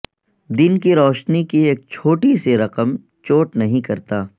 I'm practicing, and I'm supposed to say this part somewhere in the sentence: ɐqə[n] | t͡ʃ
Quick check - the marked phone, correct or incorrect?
incorrect: m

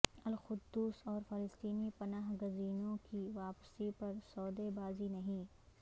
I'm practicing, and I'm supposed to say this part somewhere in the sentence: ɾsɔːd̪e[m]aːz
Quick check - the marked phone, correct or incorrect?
incorrect: b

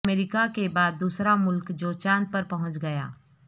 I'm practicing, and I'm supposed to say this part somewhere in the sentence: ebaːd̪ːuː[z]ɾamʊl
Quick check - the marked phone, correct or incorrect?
incorrect: s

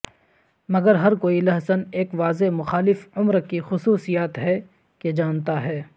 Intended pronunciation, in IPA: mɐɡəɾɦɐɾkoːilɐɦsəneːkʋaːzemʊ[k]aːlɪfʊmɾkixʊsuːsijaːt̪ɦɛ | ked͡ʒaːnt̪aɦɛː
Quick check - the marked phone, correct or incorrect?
incorrect: x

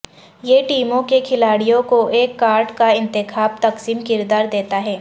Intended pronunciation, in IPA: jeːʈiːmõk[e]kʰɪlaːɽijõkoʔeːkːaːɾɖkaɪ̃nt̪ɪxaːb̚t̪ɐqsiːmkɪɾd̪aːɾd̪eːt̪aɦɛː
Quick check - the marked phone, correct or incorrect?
correct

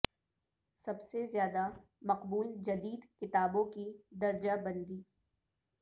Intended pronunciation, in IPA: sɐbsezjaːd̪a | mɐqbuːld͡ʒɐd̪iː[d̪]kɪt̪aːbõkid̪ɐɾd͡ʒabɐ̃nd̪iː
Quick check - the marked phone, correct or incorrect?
correct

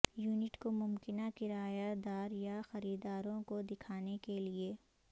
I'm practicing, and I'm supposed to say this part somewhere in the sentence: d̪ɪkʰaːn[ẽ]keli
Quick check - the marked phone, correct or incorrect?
incorrect: e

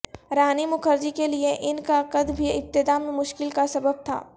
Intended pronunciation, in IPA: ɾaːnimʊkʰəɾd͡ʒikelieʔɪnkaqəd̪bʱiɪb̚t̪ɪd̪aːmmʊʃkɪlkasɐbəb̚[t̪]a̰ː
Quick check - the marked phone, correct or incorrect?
incorrect: t̪ʰ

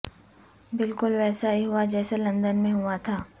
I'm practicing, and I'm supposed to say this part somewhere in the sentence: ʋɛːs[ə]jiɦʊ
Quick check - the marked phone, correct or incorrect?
incorrect: a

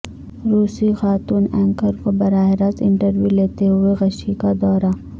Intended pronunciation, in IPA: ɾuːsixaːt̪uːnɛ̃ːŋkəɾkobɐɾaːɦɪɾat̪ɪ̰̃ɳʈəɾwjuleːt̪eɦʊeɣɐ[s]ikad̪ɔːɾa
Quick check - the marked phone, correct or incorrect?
incorrect: ʃ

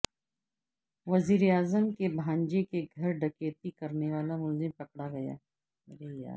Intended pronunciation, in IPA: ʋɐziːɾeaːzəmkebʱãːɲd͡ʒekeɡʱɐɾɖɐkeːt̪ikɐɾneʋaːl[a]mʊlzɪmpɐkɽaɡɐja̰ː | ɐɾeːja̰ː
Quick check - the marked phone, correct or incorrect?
correct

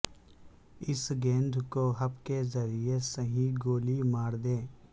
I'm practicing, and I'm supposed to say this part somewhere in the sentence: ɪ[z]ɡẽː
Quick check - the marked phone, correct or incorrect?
incorrect: s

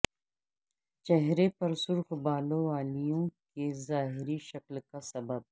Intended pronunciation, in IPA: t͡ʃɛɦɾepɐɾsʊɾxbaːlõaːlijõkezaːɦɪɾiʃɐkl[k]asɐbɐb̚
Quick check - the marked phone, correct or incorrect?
correct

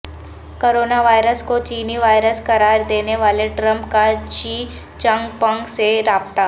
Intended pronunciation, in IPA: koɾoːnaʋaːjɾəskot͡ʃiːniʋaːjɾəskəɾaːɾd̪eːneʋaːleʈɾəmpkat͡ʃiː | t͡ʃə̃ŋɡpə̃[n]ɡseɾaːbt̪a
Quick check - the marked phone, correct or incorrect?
incorrect: ŋ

